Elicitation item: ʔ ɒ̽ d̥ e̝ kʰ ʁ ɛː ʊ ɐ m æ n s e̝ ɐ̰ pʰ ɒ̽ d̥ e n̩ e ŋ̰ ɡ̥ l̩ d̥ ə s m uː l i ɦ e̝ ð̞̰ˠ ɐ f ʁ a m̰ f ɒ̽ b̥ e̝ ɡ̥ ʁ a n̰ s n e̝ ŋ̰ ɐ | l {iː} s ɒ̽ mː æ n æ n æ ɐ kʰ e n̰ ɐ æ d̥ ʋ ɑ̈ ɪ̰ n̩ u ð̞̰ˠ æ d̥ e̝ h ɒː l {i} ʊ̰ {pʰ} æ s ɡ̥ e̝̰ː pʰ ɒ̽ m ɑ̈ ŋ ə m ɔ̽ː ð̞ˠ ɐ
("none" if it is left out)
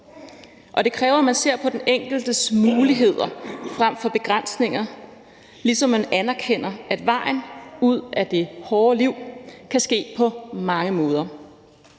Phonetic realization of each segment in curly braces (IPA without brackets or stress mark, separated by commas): i, i, kʰ